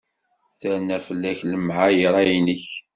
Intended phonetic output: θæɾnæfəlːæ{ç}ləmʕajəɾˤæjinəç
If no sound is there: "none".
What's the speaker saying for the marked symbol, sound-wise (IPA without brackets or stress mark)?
ç